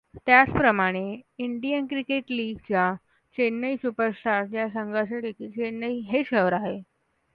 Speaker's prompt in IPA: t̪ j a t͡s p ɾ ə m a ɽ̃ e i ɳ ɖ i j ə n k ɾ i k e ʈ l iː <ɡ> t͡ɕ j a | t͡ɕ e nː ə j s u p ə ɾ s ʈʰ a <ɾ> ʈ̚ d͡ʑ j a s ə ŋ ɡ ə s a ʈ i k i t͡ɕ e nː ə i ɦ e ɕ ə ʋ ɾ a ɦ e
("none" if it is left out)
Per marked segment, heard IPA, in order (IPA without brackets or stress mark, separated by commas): ɡ, ɾ